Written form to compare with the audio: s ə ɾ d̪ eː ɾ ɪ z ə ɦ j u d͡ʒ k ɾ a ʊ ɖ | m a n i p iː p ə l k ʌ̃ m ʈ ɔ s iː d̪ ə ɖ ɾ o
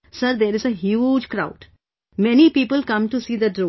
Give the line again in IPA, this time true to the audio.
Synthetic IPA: s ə ɾ d̪ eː ɾ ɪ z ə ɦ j u d͡ʒ k ɾ a ʊ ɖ | m ɛ n i p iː p ə l k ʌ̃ m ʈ u s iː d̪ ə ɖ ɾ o

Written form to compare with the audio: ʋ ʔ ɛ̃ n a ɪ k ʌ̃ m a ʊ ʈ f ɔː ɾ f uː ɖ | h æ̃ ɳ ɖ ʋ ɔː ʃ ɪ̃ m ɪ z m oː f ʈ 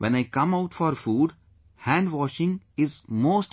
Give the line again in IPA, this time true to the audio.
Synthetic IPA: ʋ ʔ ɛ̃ n a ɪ k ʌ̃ m a ʊ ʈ f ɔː ɾ f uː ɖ | h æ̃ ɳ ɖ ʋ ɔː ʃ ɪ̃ ŋ ɪ z m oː s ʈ

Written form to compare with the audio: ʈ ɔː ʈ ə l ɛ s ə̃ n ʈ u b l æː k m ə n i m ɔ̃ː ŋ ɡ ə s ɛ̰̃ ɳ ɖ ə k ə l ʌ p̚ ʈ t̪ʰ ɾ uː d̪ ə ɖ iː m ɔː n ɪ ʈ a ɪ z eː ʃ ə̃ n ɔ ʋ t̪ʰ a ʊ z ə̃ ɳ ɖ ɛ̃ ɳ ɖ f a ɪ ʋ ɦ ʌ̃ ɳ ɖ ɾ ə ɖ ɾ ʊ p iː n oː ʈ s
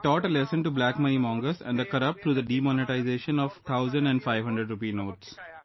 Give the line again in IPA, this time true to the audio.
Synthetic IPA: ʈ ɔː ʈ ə l ɛ s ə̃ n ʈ u b l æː k m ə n i m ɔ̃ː ŋ ɡ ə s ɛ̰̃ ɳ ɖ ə k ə ɾ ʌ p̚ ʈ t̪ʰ ɾ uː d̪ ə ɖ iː m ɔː n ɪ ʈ a ɪ z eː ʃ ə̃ n ɔ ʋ t̪ʰ a ʊ z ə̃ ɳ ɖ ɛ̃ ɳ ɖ f a ɪ ʋ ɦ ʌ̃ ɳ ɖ ɾ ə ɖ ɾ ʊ p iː n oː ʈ s

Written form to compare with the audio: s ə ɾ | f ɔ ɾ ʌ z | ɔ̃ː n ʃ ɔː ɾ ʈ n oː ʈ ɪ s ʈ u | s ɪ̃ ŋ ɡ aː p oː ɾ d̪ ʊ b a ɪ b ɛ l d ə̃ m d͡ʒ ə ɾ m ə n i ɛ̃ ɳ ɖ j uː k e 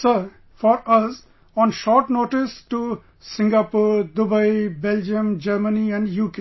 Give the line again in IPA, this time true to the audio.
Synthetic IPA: s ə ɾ | f ɔ ɾ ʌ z | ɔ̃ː n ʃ ɔː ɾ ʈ n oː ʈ ɪ s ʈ u | s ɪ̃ ŋ ɡ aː p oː ɾ d̪ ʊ b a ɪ b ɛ l d͡ʒ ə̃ m d͡ʒ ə ɾ m ə n i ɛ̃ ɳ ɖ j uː k e

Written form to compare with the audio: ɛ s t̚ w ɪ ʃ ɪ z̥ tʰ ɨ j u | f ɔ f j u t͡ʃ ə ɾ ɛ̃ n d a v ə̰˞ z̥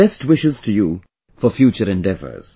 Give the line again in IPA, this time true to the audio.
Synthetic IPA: ɛ s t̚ w ɪ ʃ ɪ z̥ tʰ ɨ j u | f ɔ f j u t͡ʃ ə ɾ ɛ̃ n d ɛ v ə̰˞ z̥

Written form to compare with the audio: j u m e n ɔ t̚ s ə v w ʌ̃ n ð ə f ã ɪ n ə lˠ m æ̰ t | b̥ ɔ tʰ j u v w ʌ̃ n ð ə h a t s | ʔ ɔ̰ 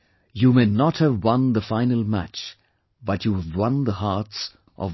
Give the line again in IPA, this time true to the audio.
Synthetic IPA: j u m e n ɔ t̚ h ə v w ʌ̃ n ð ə f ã ɪ n ə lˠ m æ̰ t͡ʃ | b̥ ʌ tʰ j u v w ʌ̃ n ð ə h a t s | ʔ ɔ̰

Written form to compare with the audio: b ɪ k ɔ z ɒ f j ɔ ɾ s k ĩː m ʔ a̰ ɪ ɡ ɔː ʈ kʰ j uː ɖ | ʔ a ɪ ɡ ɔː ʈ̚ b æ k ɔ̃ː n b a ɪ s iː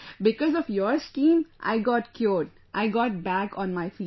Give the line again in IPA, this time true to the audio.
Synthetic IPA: b ɪ k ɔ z ɔ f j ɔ ɾ s k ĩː m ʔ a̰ ɪ ɡ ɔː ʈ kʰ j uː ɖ | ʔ a ɪ ɡ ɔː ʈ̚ b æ k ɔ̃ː n m a ɪ f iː

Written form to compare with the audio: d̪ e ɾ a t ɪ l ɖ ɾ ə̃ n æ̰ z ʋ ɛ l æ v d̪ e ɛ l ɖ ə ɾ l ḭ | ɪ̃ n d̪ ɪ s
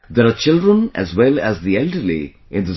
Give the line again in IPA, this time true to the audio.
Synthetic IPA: d̪ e ɾ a t͡ʃ ɪ l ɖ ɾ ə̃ n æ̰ z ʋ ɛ l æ z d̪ i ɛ l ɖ ə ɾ l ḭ | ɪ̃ n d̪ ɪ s

